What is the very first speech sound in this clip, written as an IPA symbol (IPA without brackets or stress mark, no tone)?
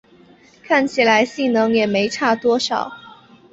kʰ